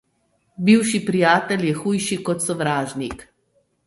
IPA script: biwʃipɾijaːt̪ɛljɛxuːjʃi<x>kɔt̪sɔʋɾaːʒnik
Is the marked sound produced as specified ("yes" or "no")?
no